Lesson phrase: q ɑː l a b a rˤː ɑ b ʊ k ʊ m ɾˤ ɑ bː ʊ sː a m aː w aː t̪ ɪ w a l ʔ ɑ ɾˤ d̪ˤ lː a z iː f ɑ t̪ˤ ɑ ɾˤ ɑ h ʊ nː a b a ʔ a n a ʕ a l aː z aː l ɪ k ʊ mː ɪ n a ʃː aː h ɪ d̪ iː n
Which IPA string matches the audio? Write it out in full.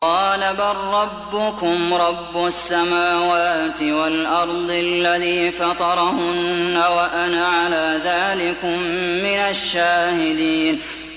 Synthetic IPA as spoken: q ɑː l a b a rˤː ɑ bː ʊ k ʊ m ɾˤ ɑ bː ʊ sː a m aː w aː t̪ ɪ w a l ʔ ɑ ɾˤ d̪ˤ lː a ð iː f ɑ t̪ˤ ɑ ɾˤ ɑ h ʊ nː a w a ʔ a n a ʕ a l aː ð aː l ɪ k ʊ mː ɪ n a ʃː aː h ɪ d̪ iː n

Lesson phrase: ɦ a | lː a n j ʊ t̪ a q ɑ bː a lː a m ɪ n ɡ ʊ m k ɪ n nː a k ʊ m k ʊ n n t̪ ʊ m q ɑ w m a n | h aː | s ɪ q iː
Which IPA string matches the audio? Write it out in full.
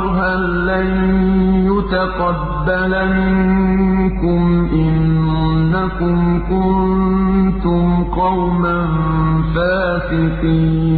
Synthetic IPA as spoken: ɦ a | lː a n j ʊ t̪ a q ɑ bː a l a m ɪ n k ʊ m ʔ ɪ n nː a k ʊ m k ʊ n n t̪ ʊ m q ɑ w m a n | f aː | s ɪ q iː

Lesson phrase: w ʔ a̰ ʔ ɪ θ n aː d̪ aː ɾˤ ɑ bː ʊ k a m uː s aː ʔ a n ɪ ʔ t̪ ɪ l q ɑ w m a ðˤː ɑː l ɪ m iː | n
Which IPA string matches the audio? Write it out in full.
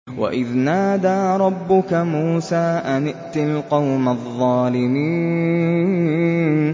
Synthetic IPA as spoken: w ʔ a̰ ʔ ɪ ð n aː d̪ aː ɾˤ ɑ bː ʊ k a m uː s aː ʔ a n ɪ ʔ t̪ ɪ l q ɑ w m a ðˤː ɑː l ɪ m iː | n

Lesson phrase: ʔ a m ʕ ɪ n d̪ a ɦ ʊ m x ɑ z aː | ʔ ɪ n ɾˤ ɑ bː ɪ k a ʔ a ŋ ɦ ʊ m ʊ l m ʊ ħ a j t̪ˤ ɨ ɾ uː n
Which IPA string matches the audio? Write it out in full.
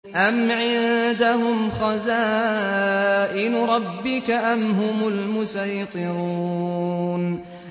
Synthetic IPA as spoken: ʔ a m ʕ ɪ n d̪ a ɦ ʊ m x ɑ z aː | ʔ ɪ n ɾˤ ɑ bː ɪ k a ʔ a m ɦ ʊ m ʊ l m ʊ s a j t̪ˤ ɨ ɾ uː n

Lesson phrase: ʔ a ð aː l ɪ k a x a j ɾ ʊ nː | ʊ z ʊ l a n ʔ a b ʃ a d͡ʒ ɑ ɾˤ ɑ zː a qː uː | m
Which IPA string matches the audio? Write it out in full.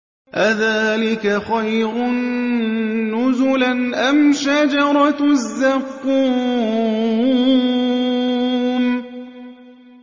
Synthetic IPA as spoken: ʔ a ð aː l ɪ k a x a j ɾ ʊ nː | ʊ z ʊ l a n ʔ a m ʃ a d͡ʒ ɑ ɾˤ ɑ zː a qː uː | m

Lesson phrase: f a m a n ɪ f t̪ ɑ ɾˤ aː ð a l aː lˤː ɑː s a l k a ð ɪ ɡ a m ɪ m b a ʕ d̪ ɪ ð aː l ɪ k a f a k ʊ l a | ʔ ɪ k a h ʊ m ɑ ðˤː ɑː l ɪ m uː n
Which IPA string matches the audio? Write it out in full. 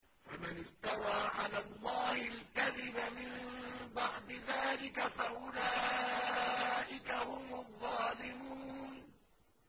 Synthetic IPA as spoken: f a m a n ɪ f t̪ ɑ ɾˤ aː ʕ a l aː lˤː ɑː h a l k a ð ɪ b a m ɪ m b a ʕ d̪ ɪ ð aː l ɪ k a f a ʔ ʊ l a | ʔ ɪ k a h ʊ m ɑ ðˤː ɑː l ɪ m uː n

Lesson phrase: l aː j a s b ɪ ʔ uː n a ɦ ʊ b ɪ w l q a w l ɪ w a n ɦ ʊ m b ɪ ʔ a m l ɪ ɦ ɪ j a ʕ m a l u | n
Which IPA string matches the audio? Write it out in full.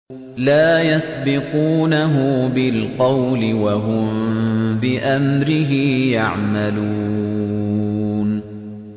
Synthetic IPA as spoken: l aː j a s b ɪ q uː n a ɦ ʊ b ɪ l q ɑ w l ɪ w a ɦ ʊ m b ɪ ʔ a m ɾ ɪ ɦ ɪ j a ʕ m a l u | n

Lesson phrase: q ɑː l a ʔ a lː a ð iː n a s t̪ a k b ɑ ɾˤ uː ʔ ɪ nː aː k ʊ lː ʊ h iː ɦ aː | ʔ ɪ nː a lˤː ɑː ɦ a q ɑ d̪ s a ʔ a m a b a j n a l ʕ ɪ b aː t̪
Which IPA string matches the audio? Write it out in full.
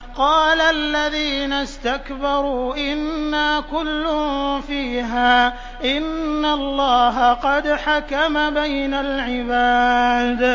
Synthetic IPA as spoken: q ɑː l a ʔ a lː a ð iː n a s t̪ a k b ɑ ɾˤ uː ʔ ɪ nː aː k ʊ lː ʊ f iː ɦ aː | ʔ ɪ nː a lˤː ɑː ɦ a q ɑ d̪ ħ a k a m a b a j n a l ʕ ɪ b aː d̪

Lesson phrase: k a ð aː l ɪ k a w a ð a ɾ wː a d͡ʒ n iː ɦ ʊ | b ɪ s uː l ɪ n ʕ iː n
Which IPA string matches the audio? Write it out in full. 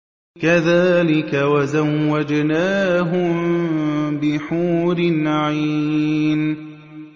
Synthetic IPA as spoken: k a ð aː l ɪ k a w a z a wː a d͡ʒ n aː ɦ ʊ | b ɪ ħ uː ɾ ɪ n ʕ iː n

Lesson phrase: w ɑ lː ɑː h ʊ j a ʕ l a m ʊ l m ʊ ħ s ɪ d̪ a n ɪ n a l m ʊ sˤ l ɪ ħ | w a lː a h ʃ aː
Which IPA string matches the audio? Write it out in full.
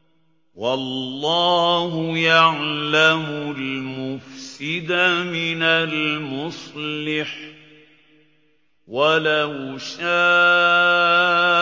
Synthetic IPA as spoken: w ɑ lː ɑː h ʊ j a ʕ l a m ʊ l m ʊ f s ɪ d̪ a m ɪ n a l m ʊ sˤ l ɪ ħ | w a l a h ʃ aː

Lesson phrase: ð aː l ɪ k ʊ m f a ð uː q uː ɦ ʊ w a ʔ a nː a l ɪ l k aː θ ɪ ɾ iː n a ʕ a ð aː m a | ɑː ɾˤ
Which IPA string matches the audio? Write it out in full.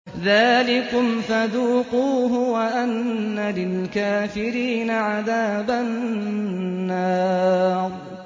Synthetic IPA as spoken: ð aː l ɪ k ʊ m f a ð uː q uː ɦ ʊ w a ʔ a nː a l ɪ l k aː f ɪ ɾ iː n a ʕ a ð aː b a | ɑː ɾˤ

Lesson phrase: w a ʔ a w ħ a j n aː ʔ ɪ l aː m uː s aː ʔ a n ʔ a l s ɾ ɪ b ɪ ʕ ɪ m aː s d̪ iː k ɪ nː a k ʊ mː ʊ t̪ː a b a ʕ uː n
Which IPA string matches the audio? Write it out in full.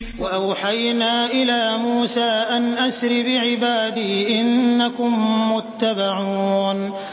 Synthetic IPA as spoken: w a ʔ a w ħ a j n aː ʔ ɪ l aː m uː s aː ʔ a n ʔ a s ɾ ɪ b ɪ ʕ ɪ b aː d̪ iː ʔ ɪ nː a k ʊ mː ʊ t̪ː a b a ʕ uː n

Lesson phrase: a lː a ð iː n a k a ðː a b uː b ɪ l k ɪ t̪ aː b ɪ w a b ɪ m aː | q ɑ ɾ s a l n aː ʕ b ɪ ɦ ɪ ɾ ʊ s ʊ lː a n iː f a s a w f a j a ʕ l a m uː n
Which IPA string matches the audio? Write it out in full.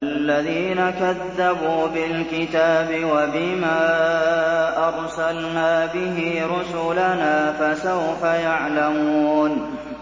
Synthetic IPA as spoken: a lː a ð iː n a k a ðː a b uː b ɪ l k ɪ t̪ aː b ɪ w a b ɪ m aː | ʔ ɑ ɾ s a l n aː b ɪ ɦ ɪ ɾ ʊ s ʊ l a n aː f a s a w f a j a ʕ l a m uː n

